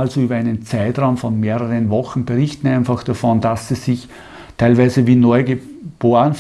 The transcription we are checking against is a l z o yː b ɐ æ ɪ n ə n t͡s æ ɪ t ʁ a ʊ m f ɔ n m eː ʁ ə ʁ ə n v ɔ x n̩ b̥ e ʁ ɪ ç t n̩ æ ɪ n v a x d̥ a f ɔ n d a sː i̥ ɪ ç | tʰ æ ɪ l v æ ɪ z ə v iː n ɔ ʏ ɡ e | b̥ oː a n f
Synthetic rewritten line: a l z o yː b ɐ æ ɪ n ə n t͡s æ ɪ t ʁ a ʊ m f ɔ n m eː ʁ ə ʁ ə n v ɔ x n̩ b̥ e ʁ ɪ ç t n̩ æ ɪ n f a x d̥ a f ɔ n d a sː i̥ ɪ ç | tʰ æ ɪ l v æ ɪ z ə v iː n ɔ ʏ ɡ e | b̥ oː ə n f

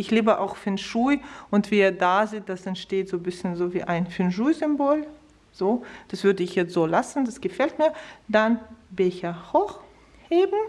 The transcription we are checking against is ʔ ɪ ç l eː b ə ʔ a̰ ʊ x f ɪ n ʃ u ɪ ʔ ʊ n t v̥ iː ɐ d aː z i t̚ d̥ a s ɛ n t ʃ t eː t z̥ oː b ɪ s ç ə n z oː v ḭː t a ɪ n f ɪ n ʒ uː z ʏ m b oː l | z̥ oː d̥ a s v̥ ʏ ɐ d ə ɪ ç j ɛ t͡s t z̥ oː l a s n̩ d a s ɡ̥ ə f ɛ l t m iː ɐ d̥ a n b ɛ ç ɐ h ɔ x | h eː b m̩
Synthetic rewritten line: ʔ ɪ ç l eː b ə ʔ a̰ ʊ x f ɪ n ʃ u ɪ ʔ ʊ n t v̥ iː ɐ d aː z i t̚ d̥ a s ɛ n t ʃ t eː t z̥ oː b ɪ s ç ə n z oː v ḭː ʔ a ɪ n f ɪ n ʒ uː z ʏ m b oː l | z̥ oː d̥ a s v̥ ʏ ɐ d ə ɪ ç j ɛ t͡s t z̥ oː l a s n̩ d a s ɡ̥ ə f ɛ l t m iː ɐ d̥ a n b ɛ ç ɐ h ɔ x | h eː b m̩

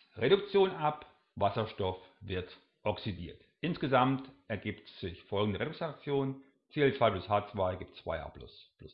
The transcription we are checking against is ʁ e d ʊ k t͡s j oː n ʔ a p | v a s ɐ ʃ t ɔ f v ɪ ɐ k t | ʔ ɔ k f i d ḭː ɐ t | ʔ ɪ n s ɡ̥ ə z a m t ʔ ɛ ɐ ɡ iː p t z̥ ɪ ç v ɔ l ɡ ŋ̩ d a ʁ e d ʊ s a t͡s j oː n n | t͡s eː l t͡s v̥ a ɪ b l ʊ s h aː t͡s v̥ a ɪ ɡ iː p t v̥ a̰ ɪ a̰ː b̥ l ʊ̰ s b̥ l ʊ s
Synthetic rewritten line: ʁ e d ʊ k t͡s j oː n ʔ a p | v a s ɐ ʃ t ɔ f v ɪ ɐ t | ʔ ɔ k s i d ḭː ɐ t | ʔ ɪ n s ɡ̥ ə z a m t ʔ ɛ ɐ ɡ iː p t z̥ ɪ ç f ɔ l ɡ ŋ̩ d ə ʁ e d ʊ s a t͡s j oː n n | t͡s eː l t͡s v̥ a ɪ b l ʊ s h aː t͡s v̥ a ɪ ɡ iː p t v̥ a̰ ɪ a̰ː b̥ l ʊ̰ s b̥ l ʊ s

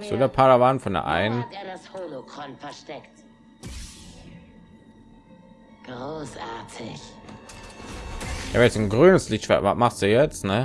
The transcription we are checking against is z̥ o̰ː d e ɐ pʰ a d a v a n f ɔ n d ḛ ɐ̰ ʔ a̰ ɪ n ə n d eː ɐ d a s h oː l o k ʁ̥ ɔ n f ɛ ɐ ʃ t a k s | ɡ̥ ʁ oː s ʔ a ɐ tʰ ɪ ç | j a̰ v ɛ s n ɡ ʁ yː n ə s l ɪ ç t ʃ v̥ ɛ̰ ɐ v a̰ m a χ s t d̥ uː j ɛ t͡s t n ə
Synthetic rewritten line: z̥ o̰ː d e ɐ pʰ a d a v a n f ɔ n d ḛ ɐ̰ ʔ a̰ ɪ n ə n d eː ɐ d a s h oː l o k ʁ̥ ɔ n f ɛ ɐ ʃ t ɛ k t | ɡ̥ ʁ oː s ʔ a ɐ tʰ ɪ ç | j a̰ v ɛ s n ɡ ʁ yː n ə s l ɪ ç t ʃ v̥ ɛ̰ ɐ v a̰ m a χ s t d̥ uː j ɛ t͡s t n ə

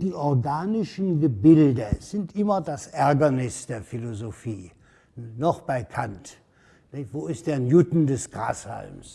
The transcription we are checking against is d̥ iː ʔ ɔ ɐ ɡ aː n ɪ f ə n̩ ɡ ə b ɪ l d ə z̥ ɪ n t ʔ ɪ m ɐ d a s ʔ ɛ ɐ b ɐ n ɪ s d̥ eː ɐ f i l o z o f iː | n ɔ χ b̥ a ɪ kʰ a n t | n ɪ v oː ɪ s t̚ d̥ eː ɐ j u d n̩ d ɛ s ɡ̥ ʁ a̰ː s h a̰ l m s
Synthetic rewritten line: d̥ iː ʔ ɔ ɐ ɡ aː n ɪ ʃ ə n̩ ɡ ə b ɪ l d ə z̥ ɪ n t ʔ ɪ m ɐ d a s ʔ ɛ ɐ ɡ ɐ n ɪ s d̥ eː ɐ f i l o z o f iː | n ɔ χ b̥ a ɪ kʰ a n t | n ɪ v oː ɪ s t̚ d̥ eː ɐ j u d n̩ d ɛ s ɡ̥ ʁ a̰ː s h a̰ l m s

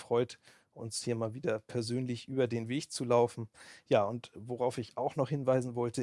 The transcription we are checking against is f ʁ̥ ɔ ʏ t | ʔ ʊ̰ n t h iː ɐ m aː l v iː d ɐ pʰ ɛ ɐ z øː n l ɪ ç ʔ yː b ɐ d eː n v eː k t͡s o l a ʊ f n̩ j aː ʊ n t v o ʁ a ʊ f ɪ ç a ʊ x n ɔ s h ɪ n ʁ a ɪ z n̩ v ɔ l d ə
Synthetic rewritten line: f ʁ̥ ɔ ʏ t | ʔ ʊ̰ n s h iː ɐ m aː l v iː d ɐ pʰ ɛ ɐ z øː n l ɪ ç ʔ yː b ɐ d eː n v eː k t͡s u l a ʊ f n̩ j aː ʊ n t v o ʁ a ʊ f ɪ ç a ʊ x n ɔ χ h ɪ n v a ɪ z n̩ v ɔ l t ə

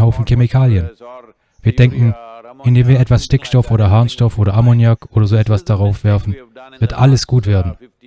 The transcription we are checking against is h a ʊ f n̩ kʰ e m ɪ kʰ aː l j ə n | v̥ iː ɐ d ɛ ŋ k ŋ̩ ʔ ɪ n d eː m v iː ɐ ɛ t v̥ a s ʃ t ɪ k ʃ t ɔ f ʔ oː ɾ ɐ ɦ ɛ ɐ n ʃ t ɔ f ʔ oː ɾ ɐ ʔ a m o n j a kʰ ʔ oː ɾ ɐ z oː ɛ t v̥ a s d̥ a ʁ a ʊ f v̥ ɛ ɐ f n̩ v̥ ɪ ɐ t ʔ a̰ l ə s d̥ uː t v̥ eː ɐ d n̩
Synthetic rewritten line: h a ʊ f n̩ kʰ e m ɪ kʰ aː l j ə n | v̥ iː ɐ d ɛ ŋ k ŋ̩ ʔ ɪ n d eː m v iː ɐ ɛ t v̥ a s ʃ t ɪ k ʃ t ɔ f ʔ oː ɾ ɐ ɦ a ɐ n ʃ t ɔ f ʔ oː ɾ ɐ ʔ a m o n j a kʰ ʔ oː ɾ ɐ z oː ɛ t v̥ a s d̥ a ʁ a ʊ f v̥ ɛ ɐ f n̩ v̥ ɪ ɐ t ʔ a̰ l ə s ɡ̥ uː t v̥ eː ɐ d n̩

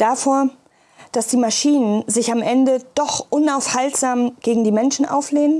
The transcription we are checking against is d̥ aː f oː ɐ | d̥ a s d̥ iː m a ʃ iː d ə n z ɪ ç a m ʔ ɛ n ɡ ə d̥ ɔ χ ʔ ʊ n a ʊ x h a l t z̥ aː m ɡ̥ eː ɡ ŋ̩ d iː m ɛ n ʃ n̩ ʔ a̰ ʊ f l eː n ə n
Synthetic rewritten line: d̥ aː f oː ɐ | d̥ a s d̥ iː m a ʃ iː n ə n z ɪ ç a m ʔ ɛ n d ə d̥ ɔ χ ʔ ʊ n a ʊ f h a l t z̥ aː m ɡ̥ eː ɡ ŋ̩ d iː m ɛ n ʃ n̩ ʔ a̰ ʊ f l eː n ə n

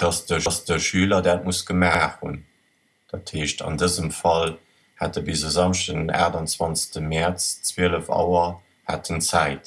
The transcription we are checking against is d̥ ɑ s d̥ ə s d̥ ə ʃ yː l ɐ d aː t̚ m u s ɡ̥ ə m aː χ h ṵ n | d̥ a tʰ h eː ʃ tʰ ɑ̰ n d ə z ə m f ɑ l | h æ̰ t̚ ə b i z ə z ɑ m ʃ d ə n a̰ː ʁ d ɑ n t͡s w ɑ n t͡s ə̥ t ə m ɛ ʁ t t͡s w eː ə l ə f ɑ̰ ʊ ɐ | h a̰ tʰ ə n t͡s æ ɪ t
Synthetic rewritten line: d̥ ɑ s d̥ ə s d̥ ə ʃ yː l ɐ d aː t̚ m u s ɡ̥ ə m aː χ h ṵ n | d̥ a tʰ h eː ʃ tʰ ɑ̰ n d ə z ə m f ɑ l | h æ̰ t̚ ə b i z ə z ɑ m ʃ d ə n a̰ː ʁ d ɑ n t͡s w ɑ n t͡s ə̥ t ə m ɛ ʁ t͡s t͡s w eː ə l ə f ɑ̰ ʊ ɐ | h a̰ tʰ ə n t͡s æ ɪ t

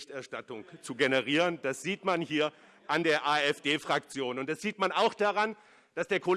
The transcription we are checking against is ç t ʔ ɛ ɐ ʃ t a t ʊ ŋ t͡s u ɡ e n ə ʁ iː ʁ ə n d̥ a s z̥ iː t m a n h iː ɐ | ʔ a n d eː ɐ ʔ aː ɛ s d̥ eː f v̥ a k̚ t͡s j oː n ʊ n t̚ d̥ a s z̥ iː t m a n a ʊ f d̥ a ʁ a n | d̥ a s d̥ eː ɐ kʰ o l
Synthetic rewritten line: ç t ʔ ɛ ɐ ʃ t a t ʊ ŋ t͡s u ɡ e n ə ʁ iː ʁ ə n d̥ a s z̥ iː t m a n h iː ɐ | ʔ a n d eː ɐ ʔ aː ɛ f d̥ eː f ʁ̥ a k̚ t͡s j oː n ʊ n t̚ d̥ a s z̥ iː t m a n a ʊ x d̥ a ʁ a n | d̥ a s d̥ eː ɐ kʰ o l

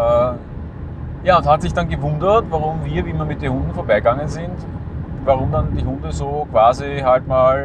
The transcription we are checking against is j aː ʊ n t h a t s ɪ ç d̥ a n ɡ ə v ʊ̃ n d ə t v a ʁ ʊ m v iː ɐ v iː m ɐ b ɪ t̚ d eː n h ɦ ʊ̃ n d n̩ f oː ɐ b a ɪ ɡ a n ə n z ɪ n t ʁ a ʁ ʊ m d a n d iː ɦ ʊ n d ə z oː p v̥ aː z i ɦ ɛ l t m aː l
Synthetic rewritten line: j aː ʊ n t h a t s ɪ ç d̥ a n ɡ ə v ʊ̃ n d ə t v a ʁ ʊ m v iː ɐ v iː m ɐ m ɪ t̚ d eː n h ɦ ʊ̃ n d n̩ f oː ɐ b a ɪ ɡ a ŋ ə n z ɪ n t v a ʁ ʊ m d a n d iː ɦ ʊ n d ə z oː k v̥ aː z i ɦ a l t m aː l

